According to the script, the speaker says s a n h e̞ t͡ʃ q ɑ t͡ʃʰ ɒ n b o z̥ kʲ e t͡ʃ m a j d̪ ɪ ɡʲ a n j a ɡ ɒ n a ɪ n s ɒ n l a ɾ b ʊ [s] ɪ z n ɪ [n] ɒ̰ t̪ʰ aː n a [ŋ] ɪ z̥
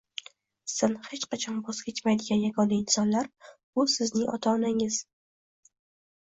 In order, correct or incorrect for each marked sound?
correct, incorrect: ŋ, correct

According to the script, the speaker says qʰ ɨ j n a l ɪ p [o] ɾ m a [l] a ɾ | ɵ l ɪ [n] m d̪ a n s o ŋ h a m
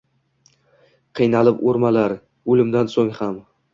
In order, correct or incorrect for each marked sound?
correct, correct, incorrect: none

